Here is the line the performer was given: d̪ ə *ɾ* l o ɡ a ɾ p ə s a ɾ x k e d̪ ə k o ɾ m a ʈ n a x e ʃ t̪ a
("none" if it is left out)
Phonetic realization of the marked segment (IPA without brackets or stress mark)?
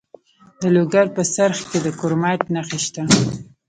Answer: none